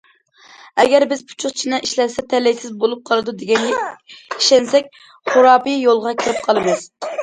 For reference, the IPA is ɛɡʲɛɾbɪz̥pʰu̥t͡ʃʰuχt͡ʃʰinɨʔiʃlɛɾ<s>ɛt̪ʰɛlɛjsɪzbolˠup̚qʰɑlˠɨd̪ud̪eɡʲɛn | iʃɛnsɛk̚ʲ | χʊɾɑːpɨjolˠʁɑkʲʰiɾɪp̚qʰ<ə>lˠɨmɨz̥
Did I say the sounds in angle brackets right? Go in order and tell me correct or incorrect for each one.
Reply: correct, incorrect: ɑ

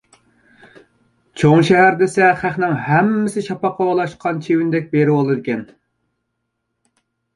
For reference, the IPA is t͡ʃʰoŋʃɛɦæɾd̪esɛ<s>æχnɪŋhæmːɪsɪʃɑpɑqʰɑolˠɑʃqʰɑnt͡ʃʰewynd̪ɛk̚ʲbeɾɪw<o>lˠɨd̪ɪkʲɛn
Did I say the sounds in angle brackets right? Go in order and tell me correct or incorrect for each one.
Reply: incorrect: χ, correct

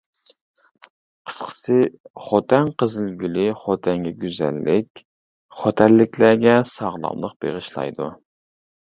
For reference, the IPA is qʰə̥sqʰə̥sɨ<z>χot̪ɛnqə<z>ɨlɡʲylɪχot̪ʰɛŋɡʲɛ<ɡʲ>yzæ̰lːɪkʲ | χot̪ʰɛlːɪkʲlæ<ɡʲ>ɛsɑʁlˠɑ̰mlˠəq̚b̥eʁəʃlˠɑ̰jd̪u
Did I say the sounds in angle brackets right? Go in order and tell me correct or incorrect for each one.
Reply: incorrect: none, correct, correct, correct

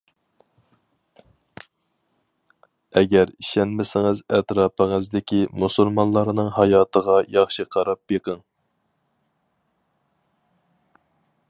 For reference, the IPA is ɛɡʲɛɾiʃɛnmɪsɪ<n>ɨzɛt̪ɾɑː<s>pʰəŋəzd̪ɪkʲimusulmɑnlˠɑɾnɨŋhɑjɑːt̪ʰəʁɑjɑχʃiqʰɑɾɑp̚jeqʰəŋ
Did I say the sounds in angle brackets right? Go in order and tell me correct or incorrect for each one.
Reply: incorrect: ŋ, incorrect: none

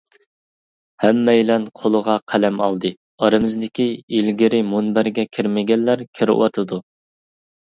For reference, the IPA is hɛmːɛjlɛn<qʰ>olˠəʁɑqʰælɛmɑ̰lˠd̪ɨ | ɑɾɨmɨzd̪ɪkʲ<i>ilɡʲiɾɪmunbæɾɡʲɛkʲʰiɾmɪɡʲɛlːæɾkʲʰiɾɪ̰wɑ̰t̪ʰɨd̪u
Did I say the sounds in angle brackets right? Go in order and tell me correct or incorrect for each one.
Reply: correct, correct

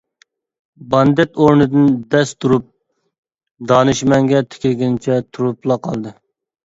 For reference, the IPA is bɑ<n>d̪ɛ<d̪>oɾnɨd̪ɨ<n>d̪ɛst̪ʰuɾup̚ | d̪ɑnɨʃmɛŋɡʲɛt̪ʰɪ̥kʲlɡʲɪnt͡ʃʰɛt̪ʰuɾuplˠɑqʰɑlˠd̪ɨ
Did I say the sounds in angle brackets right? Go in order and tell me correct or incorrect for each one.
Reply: correct, incorrect: t̪, correct

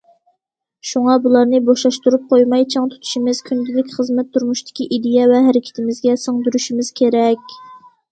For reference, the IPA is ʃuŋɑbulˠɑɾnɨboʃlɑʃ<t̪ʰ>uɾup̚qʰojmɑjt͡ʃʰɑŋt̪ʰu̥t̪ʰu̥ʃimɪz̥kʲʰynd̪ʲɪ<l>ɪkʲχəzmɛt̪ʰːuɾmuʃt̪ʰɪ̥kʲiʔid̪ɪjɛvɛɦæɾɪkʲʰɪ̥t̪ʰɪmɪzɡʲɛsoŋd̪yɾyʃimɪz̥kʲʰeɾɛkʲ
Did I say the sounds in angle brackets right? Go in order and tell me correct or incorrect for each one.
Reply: incorrect: t̪, correct

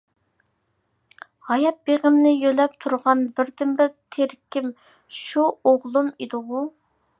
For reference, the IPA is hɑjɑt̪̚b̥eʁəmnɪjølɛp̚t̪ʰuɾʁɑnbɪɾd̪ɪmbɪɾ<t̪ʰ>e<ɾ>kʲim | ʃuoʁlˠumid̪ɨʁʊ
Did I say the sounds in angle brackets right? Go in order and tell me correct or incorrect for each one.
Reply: correct, correct

